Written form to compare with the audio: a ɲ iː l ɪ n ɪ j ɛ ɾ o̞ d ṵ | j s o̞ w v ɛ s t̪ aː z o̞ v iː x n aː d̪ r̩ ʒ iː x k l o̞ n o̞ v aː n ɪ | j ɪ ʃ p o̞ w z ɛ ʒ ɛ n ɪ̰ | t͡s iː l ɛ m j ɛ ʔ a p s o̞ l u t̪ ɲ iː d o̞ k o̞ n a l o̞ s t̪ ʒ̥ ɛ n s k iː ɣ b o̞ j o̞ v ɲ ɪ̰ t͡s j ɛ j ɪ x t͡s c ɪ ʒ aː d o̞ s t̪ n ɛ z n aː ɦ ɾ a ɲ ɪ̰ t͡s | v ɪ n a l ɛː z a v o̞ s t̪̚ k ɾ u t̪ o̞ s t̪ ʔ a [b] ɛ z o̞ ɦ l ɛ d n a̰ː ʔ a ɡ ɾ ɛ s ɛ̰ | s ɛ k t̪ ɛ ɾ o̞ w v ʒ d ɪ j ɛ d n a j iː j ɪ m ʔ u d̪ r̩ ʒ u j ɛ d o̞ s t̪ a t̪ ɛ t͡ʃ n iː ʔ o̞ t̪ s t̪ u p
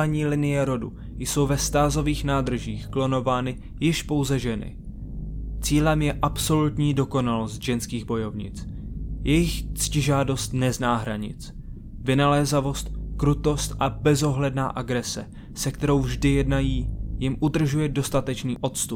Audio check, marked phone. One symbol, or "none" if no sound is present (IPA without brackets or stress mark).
b